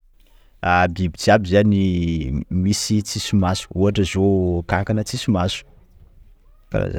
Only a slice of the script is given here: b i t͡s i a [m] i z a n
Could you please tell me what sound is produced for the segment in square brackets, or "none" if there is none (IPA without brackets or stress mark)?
b